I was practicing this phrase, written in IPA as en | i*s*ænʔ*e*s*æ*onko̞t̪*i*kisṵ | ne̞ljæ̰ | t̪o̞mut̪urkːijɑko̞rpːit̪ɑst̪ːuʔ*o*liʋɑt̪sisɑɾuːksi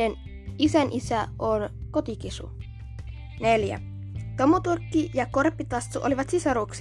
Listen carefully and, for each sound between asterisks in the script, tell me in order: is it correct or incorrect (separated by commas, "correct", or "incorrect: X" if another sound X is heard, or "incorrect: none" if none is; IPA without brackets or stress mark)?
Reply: correct, incorrect: i, correct, correct, correct